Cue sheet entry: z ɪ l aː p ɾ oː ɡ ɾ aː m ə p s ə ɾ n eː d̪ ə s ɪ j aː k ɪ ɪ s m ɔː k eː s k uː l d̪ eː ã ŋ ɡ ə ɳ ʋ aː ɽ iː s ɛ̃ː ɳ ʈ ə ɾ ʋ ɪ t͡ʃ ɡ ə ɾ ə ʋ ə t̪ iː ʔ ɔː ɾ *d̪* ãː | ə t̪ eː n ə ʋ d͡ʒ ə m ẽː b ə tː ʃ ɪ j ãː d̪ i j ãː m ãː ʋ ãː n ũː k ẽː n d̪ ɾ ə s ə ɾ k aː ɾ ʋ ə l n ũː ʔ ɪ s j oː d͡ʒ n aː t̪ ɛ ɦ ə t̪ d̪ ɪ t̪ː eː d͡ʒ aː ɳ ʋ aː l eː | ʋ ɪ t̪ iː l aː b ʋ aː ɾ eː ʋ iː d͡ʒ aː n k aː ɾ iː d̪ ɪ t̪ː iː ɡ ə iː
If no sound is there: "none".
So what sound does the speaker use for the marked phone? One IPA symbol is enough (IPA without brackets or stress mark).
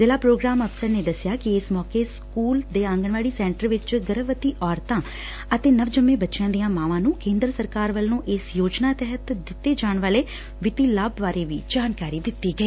t̪